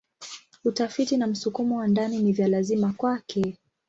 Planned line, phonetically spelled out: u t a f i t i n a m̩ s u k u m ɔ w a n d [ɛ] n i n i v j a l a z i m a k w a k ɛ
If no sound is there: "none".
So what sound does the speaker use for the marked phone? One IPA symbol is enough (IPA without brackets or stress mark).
a